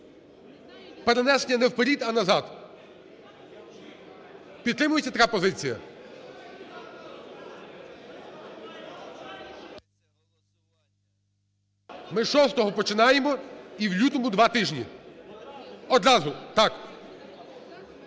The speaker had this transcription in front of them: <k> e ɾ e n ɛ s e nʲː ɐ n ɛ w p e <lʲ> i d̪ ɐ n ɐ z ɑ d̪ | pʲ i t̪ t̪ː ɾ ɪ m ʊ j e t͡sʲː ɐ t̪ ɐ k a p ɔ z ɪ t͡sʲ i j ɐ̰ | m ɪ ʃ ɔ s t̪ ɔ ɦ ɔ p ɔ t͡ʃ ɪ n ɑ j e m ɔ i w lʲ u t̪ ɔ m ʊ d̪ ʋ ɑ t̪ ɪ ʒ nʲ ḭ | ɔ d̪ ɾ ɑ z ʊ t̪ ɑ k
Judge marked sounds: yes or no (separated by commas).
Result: no, no